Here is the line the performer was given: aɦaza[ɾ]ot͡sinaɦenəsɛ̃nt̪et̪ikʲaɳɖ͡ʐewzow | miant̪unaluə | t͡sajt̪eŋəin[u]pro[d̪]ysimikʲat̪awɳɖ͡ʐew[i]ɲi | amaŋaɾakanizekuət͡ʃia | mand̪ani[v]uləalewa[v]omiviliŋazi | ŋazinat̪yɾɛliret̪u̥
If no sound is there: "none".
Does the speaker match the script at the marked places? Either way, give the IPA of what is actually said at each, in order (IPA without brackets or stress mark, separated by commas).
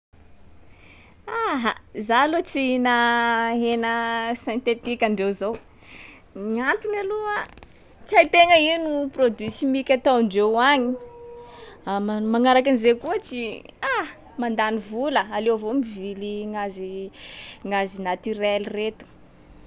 l, u, d̪, a, v, v